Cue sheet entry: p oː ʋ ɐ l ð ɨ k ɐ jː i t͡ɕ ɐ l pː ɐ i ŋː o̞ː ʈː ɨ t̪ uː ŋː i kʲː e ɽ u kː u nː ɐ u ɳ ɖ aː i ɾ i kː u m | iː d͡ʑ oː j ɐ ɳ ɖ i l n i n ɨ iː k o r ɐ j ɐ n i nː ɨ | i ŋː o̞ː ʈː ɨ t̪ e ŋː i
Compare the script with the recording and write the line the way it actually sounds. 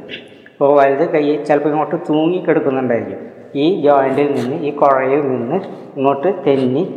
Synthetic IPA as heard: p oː ʋ ɐ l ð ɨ k ɐ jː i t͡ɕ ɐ l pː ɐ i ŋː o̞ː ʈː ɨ t̪ uː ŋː i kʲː e ɽ u kː u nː ɐ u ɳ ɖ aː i ɾ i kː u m | iː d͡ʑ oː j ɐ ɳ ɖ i l n i nː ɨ iː k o r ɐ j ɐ n i nː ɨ | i ŋː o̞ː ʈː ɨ t̪ e nː i